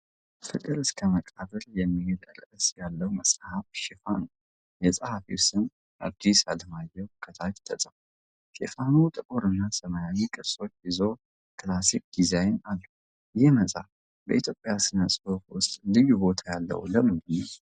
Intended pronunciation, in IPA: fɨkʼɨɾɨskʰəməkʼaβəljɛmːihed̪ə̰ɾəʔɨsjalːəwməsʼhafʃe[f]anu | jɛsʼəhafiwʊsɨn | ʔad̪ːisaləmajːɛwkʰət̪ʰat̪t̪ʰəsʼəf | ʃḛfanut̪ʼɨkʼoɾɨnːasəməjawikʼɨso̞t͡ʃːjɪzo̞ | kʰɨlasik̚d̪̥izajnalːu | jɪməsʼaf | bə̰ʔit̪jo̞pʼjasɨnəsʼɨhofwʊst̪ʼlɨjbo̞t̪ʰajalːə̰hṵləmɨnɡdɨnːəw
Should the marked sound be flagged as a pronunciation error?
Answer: no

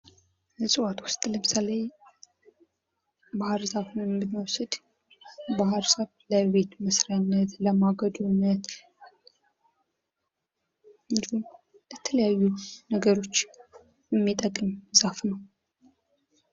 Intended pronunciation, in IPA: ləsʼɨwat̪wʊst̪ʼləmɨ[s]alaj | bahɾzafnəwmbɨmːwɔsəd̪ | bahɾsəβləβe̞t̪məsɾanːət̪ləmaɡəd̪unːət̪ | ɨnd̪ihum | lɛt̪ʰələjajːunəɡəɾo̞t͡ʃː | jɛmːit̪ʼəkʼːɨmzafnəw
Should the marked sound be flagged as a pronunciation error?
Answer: no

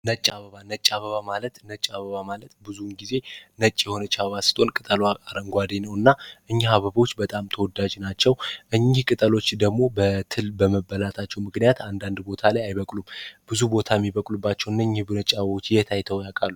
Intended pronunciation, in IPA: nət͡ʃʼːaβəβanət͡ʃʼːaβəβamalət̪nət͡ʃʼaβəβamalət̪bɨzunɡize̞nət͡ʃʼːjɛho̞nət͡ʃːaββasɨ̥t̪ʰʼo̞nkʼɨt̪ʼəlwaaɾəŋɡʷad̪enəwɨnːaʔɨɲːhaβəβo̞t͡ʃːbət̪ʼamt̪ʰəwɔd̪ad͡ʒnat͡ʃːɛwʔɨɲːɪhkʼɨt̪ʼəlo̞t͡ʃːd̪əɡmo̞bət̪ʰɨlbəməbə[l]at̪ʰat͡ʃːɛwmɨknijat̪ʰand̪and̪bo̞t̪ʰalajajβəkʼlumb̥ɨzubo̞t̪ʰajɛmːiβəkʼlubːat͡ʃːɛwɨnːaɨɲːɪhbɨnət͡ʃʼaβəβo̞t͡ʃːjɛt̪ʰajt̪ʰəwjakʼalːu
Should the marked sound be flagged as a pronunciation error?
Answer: no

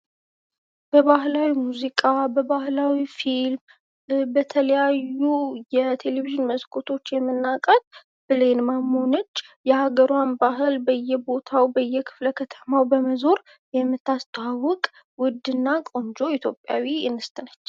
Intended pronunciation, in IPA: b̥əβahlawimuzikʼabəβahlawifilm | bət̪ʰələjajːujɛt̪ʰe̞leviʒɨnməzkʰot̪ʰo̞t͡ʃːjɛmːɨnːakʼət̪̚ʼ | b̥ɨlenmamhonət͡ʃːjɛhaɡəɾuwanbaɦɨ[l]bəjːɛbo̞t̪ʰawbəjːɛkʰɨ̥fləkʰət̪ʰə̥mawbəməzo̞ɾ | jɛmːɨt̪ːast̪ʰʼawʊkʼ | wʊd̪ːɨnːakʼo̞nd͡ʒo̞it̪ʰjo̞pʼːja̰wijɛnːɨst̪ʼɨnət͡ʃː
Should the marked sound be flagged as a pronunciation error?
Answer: no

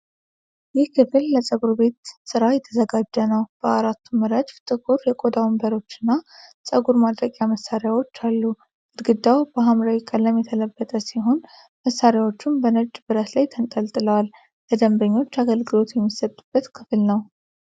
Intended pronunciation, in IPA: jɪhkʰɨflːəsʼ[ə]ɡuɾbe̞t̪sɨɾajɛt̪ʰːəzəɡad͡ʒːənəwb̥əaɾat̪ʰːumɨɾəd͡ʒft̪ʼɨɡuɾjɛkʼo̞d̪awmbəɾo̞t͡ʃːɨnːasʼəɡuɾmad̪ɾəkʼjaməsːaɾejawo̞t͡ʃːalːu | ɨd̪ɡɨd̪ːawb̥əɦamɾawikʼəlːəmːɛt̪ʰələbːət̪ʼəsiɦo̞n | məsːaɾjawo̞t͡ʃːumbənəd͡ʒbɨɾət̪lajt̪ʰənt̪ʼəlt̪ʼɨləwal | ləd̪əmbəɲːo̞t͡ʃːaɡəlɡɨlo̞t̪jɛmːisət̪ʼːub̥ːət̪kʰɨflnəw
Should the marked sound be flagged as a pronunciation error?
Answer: no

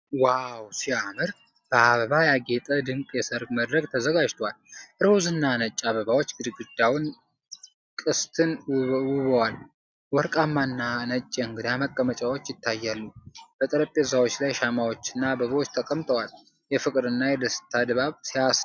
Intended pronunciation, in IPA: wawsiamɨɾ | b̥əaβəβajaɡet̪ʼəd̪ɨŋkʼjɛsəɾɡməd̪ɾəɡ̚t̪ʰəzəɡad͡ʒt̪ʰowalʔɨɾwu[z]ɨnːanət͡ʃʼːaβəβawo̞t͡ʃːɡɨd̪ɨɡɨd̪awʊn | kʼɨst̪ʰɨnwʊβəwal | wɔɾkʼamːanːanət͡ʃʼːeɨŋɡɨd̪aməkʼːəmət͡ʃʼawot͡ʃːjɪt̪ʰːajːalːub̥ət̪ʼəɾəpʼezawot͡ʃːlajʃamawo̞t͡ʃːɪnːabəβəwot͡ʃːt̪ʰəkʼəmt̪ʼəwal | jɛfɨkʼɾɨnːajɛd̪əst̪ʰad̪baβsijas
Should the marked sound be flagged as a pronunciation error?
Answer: no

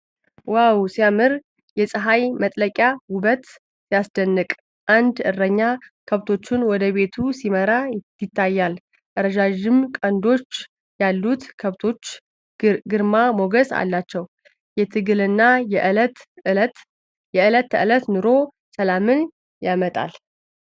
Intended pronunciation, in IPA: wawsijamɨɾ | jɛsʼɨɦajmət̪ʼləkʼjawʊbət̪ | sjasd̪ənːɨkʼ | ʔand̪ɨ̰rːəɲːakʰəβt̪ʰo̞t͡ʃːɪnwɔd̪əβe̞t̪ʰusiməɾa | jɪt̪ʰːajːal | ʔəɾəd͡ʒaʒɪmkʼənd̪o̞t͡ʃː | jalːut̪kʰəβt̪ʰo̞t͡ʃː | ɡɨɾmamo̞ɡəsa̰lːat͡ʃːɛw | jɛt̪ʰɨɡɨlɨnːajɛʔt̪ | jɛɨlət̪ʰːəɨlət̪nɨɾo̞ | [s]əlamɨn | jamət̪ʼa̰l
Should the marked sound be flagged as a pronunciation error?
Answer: no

